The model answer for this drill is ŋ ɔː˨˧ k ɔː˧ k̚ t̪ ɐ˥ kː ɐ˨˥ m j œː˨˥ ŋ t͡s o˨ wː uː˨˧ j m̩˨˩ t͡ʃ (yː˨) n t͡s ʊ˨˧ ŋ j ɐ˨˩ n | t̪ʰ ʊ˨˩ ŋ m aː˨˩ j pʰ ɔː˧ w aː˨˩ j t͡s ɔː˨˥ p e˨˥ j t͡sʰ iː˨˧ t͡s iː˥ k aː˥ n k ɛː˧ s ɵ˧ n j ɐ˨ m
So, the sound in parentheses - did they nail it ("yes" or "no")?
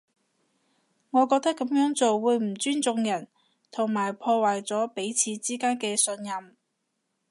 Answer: no